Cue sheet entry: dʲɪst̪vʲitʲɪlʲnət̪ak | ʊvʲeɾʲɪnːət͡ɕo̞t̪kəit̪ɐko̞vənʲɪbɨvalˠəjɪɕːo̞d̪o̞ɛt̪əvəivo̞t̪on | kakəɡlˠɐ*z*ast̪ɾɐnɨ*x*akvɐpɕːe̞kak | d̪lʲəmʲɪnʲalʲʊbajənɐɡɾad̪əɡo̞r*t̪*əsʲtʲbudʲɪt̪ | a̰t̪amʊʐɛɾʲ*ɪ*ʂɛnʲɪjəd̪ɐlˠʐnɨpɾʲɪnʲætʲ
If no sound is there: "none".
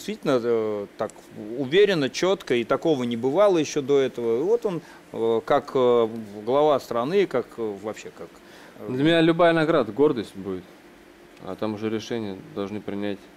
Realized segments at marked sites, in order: v, k, d̪, ɪ

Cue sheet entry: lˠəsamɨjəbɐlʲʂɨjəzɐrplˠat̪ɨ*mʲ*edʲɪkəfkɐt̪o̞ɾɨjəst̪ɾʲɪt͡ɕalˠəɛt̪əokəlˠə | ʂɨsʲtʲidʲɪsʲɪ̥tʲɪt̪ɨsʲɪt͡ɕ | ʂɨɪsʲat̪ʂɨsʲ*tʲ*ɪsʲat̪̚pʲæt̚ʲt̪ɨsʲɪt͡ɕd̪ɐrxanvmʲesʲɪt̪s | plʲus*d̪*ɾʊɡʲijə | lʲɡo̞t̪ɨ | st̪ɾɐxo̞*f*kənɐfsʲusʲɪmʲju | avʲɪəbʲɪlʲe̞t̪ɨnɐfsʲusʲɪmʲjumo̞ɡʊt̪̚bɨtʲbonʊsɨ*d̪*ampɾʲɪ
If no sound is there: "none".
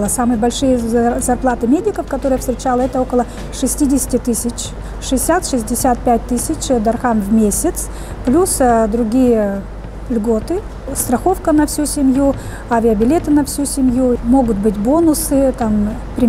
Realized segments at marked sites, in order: mʲ, dʲ, d̪, f, t̪

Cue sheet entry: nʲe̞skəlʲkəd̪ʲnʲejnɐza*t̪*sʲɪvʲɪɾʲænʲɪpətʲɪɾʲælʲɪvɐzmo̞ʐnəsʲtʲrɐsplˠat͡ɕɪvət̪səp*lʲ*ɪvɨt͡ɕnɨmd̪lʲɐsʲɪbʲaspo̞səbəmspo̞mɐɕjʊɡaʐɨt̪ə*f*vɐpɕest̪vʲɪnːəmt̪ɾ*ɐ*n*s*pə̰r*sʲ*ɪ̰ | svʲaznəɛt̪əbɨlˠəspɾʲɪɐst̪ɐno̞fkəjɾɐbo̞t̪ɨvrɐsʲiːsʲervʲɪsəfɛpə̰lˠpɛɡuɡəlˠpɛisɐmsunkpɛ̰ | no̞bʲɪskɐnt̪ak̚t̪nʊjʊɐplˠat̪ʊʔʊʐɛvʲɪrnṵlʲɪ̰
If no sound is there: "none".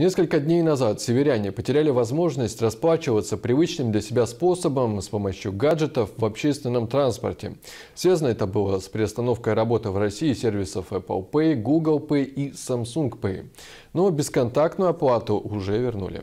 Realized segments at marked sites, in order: t̪, ɾʲ, f, a, s, tʲ

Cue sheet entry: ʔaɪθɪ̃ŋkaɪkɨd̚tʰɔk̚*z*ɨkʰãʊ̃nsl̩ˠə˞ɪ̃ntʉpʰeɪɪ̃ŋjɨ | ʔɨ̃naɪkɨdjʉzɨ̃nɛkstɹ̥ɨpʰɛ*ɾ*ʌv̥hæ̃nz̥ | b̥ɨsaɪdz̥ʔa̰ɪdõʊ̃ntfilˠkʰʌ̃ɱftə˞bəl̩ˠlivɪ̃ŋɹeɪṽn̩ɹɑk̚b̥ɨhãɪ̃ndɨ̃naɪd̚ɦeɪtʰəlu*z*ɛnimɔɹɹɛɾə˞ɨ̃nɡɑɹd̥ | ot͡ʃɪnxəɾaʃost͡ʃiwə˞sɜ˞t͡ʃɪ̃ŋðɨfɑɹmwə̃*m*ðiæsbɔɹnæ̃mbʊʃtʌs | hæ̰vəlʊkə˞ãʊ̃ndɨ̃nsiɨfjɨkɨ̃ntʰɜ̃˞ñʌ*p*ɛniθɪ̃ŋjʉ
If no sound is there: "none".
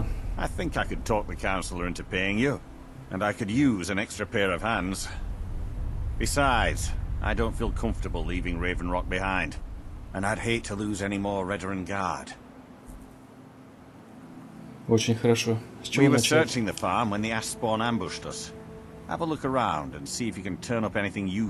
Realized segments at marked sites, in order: ð, ɹ, z, n, p

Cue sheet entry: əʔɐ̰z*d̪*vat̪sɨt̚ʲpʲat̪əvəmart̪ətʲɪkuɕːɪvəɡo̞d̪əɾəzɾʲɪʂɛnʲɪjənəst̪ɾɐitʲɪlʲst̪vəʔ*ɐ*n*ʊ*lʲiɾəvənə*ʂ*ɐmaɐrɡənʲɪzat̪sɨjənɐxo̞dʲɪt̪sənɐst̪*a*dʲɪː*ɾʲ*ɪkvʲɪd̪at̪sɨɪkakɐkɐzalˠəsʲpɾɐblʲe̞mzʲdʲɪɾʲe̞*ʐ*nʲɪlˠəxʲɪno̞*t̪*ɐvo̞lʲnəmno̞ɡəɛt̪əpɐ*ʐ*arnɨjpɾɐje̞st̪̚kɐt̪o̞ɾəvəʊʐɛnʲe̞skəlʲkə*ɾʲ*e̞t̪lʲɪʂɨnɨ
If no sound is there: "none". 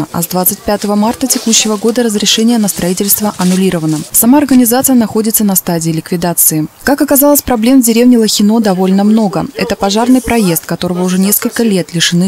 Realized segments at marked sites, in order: d̪, ɐ, ʊ, s, a, lʲ, v, d̪, ʐ, lʲ

